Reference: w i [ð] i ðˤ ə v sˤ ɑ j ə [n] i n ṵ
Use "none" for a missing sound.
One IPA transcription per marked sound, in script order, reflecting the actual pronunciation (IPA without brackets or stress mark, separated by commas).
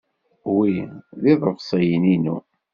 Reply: ð, n